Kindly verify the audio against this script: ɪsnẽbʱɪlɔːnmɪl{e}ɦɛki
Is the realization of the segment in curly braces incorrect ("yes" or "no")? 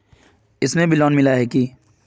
yes